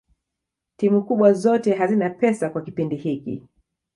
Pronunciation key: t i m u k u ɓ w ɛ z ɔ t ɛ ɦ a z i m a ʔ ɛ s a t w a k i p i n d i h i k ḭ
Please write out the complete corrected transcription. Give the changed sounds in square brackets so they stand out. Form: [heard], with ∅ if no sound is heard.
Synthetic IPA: t i m u k u ɓ w [a] z ɔ t ɛ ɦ a z i [n] a [p] ɛ s a [k] w a k i p i n d i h i k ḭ

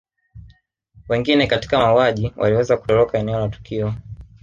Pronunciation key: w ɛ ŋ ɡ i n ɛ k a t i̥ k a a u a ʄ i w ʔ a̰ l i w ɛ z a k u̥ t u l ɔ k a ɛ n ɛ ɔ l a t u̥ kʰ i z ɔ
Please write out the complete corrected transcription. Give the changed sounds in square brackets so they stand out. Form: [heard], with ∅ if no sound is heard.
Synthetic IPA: w ɛ ŋ ɡ i n ɛ k a t i̥ k a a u a ʄ i w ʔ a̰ l i w ɛ z a k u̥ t [ɔ] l ɔ k a ɛ n ɛ ɔ l a t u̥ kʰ i [∅] ɔ

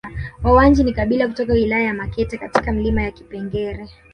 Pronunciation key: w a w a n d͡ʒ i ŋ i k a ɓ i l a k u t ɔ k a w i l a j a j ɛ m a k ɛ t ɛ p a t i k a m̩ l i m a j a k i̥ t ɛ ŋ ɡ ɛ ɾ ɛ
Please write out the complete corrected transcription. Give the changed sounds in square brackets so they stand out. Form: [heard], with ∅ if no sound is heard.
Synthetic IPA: w a w a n d͡ʒ i [n] i k a ɓ i l a k u t ɔ k a w i l a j a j [a] m a k ɛ t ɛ [k] a t i k a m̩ l i m a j a k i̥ [p] ɛ ŋ ɡ ɛ ɾ ɛ

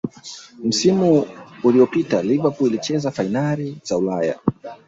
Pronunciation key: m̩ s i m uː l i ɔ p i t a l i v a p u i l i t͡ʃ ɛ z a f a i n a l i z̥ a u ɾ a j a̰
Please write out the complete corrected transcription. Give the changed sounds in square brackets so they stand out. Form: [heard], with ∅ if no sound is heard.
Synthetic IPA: m̩ s i m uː l i ɔ p i t a l i v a p u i l i t͡ʃ ɛ z a f a i n a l i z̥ a u [l] a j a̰

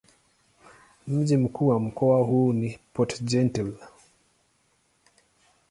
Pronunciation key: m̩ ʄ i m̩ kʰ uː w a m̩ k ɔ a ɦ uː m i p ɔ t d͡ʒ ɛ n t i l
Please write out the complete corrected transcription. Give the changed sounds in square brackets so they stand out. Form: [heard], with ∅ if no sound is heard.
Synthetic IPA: m̩ ʄ i m̩ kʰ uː w a m̩ k ɔ a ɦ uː [n] i p ɔ t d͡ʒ ɛ n t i l

